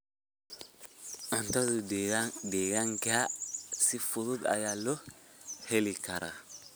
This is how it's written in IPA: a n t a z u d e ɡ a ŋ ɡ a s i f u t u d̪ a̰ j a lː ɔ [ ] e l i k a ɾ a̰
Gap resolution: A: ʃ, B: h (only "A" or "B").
B